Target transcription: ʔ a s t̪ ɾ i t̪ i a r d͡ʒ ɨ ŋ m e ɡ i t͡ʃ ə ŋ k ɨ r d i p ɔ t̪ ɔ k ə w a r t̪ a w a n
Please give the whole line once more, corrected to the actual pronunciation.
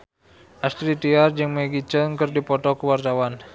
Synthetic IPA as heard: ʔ a s t̪ ɾ i t̪ i a r d͡ʒ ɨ ŋ m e ɡ i t͡ʃ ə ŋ k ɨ r d i p ɔ t̪ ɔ k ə w a r t̪ a w a n